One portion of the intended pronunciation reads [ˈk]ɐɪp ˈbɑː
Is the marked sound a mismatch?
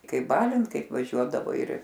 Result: no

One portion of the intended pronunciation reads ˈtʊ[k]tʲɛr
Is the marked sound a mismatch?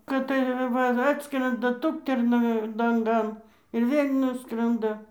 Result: no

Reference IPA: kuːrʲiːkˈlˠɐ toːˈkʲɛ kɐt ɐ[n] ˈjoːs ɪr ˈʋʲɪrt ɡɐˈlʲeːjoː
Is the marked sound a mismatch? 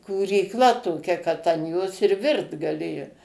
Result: no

